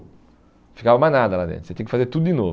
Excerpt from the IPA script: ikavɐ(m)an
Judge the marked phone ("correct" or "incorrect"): correct